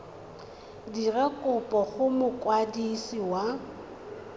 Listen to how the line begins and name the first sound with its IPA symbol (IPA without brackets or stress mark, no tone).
d